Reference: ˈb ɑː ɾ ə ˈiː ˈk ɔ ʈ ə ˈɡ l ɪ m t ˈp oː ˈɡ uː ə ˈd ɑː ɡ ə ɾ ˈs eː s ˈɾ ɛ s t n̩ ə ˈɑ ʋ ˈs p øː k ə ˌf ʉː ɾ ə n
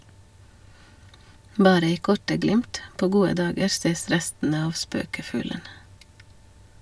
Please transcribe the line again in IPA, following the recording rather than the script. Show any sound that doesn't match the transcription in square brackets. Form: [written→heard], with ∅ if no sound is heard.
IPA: ˈb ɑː ɾ ə ˈiː ˈk ɔ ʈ ə ˈɡ l ɪ m t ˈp oː ˈɡ uː ə ˈd ɑː ɡ ə ɾ ˈs eː s ˈɾ ɛ s t n̩ ə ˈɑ ʋ ˈs p øː k ə ˌf ʉː [ɾ→l] ə n